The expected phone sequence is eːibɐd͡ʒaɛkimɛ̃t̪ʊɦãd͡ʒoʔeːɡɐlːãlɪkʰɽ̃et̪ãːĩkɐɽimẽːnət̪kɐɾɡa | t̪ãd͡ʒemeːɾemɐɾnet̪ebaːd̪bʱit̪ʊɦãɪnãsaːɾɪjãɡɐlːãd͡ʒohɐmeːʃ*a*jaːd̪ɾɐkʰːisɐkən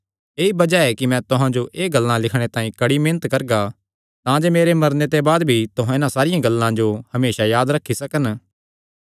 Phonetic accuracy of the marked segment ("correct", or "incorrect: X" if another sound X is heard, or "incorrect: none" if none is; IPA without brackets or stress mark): correct